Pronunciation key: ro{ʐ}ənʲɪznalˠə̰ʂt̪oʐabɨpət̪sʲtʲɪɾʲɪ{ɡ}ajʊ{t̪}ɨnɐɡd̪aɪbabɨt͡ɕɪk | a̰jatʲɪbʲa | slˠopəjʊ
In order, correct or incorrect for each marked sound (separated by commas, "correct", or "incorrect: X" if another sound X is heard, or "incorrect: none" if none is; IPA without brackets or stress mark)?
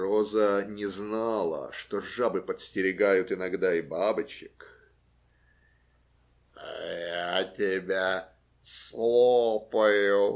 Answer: incorrect: z, correct, correct